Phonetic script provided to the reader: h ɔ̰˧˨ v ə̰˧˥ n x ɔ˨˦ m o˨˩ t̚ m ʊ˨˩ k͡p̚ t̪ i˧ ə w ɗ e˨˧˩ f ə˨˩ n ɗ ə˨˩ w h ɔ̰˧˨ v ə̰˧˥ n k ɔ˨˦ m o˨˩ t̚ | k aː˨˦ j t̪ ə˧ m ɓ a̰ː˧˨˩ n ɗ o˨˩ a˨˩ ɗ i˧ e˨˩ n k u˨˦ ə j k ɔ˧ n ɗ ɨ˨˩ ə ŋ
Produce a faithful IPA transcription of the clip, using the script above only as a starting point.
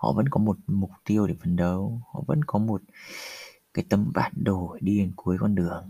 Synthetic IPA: h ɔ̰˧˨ v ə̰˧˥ n k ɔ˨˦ m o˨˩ t̚ m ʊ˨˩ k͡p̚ t̪ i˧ ə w ɗ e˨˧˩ f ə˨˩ n ɗ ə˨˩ w h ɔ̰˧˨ v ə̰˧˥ n k ɔ˨˦ m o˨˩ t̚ | k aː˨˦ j t̪ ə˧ m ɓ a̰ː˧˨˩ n ɗ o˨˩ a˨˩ ɗ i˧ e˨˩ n k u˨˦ ə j k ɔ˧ n ɗ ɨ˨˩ ə ŋ